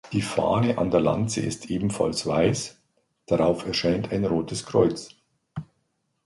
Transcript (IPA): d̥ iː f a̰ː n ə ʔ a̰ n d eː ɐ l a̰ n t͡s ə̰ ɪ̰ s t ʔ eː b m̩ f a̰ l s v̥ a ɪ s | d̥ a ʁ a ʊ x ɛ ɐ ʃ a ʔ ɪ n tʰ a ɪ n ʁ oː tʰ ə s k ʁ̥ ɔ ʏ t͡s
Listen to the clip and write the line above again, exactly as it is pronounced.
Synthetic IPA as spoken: d̥ iː f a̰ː n ə ʔ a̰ n d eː ɐ l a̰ n t͡s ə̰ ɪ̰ s t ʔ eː b m̩ f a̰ l s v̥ a ɪ s | d̥ a ʁ a ʊ f ɛ ɐ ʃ a ɪ n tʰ a ɪ n ʁ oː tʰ ə s k ʁ̥ ɔ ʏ t͡s